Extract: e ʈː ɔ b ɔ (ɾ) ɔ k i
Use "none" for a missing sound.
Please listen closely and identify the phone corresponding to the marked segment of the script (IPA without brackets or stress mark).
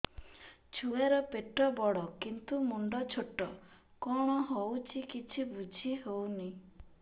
ɽ